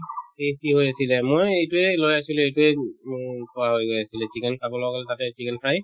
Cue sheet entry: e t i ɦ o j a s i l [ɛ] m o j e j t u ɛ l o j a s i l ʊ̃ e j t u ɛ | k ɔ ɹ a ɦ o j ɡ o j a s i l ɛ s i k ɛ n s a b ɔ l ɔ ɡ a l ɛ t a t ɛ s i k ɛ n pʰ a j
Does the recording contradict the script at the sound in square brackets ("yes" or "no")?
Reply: no